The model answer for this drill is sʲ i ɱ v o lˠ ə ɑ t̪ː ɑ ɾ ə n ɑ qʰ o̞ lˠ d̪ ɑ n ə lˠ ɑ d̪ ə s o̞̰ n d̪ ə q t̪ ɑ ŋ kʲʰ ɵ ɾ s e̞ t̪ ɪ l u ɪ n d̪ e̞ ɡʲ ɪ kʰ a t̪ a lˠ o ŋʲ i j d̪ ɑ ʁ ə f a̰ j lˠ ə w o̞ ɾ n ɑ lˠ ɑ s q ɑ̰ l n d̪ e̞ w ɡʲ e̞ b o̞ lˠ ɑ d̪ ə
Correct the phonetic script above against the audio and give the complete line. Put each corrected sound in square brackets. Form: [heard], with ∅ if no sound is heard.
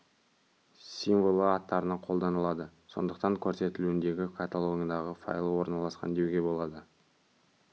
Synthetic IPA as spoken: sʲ i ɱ v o lˠ ə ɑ t̪ː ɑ ɾ ə n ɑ qʰ o̞ lˠ d̪ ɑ n ə lˠ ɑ d̪ ə s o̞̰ n d̪ ə q t̪ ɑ ŋ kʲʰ ɵ ɾ s e̞ t̪ ɪ l u ɪ n d̪ e̞ ɡʲ ɪ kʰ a t̪ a lˠ o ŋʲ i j d̪ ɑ ʁ ə f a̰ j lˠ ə w o̞ ɾ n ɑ lˠ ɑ s q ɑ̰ [∅] n d̪ e̞ w ɡʲ e̞ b o̞ lˠ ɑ d̪ ə

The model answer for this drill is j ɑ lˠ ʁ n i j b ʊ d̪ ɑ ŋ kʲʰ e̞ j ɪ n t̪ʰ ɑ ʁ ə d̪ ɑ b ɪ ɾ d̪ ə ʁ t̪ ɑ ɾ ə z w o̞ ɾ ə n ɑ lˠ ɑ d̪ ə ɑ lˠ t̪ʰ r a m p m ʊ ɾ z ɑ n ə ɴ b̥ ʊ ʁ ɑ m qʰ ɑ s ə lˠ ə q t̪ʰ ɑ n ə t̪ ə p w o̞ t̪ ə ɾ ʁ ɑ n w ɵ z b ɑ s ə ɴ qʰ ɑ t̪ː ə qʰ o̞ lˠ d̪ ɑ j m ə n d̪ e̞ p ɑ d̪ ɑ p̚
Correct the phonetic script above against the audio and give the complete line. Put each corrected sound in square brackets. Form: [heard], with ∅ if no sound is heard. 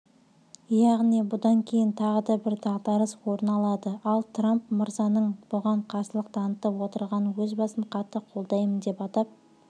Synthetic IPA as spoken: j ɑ [∅] ʁ n i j b ʊ d̪ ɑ ŋ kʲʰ e̞ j ɪ n t̪ʰ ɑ ʁ ə d̪ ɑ b ɪ ɾ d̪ [ɑ] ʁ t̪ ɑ ɾ ə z w o̞ ɾ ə n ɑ lˠ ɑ d̪ ə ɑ lˠ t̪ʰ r a m p m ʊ ɾ z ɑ n ə ɴ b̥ ʊ ʁ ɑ [ɴ] qʰ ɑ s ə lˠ ə q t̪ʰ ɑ n ə t̪ ə p w o̞ t̪ ə ɾ ʁ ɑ n w ɵ z b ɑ s ə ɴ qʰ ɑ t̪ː ə qʰ o̞ lˠ d̪ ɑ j m ə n d̪ e̞ p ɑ [t̪] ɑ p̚

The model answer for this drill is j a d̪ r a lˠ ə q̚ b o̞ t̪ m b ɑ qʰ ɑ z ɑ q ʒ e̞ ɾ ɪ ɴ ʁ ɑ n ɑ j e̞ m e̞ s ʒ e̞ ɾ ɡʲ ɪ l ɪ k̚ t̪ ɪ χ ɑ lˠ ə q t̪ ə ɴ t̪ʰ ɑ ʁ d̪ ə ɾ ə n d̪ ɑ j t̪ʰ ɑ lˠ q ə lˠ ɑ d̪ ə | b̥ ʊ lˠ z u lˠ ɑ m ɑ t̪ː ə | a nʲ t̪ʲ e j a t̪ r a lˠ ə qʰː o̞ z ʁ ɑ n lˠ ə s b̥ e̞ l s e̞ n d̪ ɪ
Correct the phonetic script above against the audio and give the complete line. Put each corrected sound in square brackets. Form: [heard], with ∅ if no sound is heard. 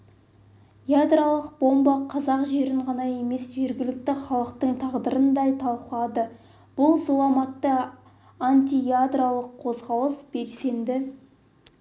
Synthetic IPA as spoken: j a d̪ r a lˠ ə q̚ b o̞ [∅] m b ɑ qʰ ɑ z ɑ q ʒ e̞ ɾ ɪ ɴ ʁ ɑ n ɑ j e̞ m e̞ s ʒ e̞ ɾ ɡʲ ɪ l ɪ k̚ t̪ ɪ χ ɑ lˠ ə q t̪ ə ɴ t̪ʰ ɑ ʁ d̪ ə ɾ ə n d̪ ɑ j t̪ʰ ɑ lˠ q ə lˠ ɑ d̪ ə | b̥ ʊ lˠ z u lˠ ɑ m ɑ t̪ː ə | a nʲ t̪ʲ [i] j a [d̪] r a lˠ ə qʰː o̞ z ʁ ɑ [∅] lˠ ə s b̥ e̞ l s e̞ n d̪ ɪ

